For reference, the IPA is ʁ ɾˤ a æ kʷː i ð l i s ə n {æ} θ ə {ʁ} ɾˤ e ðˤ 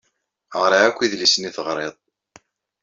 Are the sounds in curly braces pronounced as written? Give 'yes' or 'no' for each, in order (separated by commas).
no, yes